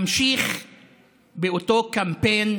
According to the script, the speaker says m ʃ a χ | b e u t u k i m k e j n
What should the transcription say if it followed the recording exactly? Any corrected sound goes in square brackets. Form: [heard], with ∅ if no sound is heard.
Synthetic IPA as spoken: m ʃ [i] χ | b e [o] t [o] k [a] m [p] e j n